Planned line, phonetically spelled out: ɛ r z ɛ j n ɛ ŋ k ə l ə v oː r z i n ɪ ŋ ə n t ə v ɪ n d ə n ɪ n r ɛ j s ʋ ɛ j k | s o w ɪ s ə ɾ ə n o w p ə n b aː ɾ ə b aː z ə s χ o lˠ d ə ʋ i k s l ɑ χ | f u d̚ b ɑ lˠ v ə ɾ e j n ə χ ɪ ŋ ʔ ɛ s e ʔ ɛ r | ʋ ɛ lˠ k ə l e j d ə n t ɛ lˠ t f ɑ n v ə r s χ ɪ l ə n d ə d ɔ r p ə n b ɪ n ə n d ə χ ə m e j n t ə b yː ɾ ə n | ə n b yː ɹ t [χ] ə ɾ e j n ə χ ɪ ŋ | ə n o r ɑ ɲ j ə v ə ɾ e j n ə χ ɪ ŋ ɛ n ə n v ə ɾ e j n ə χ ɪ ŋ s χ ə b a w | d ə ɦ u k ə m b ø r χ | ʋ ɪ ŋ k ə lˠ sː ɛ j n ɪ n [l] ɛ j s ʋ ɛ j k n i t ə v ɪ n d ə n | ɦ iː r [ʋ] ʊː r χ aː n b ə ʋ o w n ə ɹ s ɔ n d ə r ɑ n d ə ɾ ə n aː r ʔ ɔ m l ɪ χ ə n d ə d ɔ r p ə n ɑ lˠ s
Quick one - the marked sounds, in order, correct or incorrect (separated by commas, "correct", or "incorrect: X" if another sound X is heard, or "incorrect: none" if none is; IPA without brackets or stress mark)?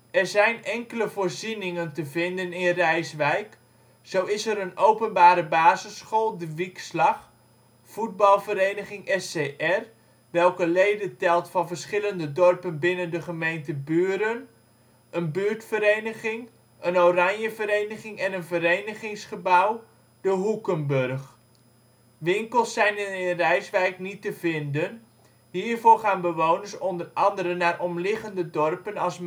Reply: incorrect: f, incorrect: r, incorrect: v